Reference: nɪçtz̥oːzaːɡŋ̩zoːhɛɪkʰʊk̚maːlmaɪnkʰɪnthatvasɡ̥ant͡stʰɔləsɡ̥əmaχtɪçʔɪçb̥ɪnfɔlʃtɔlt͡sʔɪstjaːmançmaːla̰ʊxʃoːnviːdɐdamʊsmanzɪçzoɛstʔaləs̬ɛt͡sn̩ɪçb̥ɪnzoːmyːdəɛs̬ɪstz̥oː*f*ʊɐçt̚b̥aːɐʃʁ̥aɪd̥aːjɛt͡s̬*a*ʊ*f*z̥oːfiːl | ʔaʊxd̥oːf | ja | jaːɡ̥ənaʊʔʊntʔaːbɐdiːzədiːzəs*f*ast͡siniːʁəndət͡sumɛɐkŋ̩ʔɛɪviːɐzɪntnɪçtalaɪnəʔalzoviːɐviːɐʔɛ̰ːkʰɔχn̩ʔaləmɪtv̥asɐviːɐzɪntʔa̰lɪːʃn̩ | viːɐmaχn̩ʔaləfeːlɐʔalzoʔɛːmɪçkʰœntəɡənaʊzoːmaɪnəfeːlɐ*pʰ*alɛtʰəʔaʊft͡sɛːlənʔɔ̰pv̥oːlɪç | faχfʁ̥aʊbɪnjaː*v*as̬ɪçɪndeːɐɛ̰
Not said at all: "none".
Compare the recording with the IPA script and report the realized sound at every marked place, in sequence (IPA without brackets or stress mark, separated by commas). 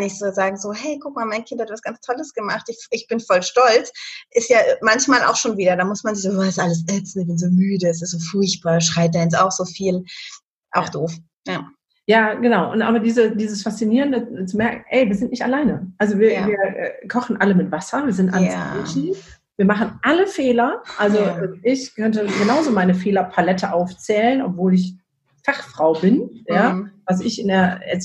f, a, x, f, pʰ, v